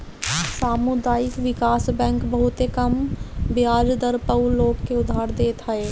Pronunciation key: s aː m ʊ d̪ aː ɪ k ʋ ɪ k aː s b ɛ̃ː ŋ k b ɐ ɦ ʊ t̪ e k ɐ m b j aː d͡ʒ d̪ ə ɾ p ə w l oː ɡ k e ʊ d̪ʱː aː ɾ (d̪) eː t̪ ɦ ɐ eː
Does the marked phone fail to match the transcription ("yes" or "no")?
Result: no